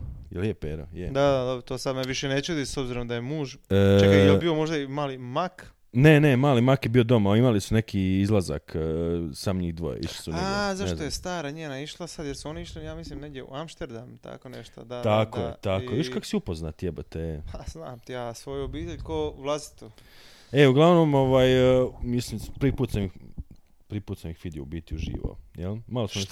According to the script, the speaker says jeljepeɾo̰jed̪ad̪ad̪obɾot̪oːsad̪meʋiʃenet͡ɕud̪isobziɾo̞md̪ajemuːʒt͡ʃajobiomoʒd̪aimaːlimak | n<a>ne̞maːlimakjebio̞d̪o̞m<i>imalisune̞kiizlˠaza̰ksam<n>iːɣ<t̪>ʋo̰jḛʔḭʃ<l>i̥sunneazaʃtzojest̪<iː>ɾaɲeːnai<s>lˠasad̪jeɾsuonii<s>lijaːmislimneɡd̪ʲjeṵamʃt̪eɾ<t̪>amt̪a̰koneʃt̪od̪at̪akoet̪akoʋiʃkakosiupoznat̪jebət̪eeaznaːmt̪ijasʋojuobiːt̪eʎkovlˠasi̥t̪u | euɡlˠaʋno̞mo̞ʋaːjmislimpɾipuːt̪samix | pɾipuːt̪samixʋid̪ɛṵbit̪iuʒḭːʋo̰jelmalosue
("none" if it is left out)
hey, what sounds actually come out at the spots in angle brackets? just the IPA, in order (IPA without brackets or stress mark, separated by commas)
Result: e, a, ɲ, d̪, l, aː, ʃ, ʃ, d̪